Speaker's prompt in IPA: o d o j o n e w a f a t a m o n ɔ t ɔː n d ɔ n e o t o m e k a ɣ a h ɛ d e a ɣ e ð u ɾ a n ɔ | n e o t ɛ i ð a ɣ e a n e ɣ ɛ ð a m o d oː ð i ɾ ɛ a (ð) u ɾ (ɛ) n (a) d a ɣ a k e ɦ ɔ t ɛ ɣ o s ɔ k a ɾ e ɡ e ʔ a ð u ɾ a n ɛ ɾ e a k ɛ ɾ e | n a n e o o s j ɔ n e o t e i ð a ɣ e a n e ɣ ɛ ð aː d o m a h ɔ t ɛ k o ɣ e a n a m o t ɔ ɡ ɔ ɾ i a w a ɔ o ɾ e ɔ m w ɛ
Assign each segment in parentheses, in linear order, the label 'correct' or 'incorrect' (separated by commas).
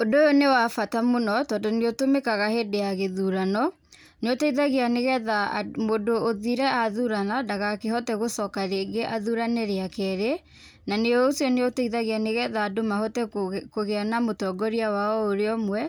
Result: correct, incorrect, correct